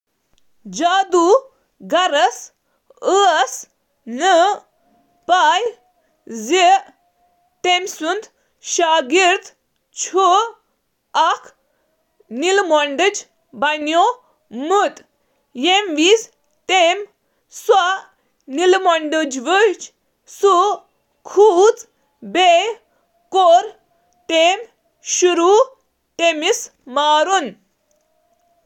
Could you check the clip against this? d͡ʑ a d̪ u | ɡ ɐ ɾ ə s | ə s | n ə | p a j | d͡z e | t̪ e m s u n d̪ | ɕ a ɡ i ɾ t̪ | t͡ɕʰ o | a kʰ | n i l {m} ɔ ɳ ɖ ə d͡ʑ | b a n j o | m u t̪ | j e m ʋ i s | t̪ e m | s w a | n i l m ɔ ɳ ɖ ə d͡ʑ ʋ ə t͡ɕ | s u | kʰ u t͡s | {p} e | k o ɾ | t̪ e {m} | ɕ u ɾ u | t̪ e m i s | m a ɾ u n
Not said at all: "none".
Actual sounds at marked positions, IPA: m, b, m

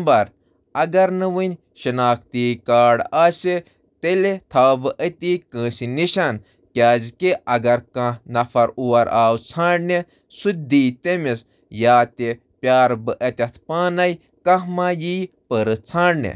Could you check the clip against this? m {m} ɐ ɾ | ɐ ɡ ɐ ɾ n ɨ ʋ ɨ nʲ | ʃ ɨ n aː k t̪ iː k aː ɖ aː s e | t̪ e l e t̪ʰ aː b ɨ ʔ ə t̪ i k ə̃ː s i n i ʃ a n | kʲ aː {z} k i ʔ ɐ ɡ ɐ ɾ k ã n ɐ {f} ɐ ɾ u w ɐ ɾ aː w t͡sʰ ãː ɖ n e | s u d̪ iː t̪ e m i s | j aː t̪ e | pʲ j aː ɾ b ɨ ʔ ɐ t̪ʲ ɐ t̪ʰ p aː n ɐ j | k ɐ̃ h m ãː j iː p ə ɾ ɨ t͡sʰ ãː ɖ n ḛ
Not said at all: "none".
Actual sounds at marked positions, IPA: b, z, f

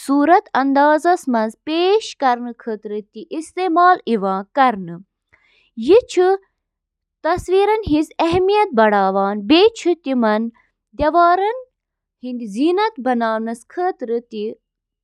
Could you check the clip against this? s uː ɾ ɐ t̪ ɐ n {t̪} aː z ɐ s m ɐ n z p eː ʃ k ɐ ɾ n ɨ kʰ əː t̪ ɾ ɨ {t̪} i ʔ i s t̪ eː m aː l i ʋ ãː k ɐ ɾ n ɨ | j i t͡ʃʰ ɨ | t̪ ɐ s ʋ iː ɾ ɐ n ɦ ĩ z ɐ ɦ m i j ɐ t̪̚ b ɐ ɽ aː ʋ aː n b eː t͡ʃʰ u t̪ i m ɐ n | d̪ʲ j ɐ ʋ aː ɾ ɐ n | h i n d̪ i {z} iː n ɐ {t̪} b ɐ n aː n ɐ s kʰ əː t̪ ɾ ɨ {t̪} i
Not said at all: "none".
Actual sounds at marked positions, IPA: d̪, t̪, z, t̪, t̪

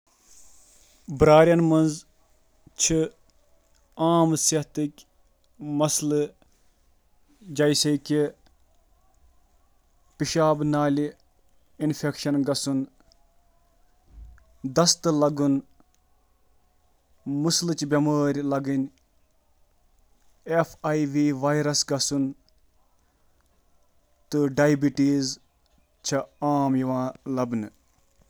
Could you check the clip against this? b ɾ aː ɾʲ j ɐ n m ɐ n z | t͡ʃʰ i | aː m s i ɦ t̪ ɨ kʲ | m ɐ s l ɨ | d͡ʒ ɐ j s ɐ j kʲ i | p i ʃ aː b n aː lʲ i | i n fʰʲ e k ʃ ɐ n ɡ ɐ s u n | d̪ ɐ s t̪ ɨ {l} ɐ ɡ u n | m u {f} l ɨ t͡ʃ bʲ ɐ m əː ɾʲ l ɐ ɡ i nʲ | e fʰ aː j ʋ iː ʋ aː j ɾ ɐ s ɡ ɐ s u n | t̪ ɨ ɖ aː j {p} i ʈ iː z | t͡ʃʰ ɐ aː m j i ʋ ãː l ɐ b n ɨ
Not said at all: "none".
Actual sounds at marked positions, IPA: l, s, b

